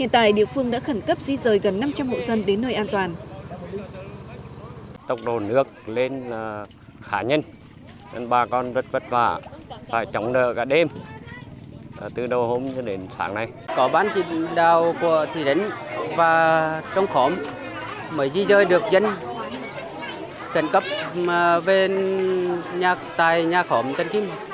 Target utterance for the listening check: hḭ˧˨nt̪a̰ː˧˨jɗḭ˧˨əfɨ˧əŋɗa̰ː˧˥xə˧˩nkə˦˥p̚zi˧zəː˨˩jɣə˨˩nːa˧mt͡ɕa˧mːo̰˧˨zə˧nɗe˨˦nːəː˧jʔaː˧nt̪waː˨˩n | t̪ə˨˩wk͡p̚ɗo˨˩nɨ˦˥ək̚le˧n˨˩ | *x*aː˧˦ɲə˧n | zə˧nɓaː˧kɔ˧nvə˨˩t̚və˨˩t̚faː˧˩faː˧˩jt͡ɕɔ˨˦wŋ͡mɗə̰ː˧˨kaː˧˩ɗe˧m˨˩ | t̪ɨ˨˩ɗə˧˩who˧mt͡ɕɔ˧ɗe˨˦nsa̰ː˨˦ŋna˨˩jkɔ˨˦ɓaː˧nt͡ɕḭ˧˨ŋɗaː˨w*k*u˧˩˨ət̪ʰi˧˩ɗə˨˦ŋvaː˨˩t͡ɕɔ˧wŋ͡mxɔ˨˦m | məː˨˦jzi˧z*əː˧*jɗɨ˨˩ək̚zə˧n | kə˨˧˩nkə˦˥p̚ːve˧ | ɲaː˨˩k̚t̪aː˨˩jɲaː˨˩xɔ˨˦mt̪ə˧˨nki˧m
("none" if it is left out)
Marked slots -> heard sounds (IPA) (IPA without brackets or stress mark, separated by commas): x, k, əː˧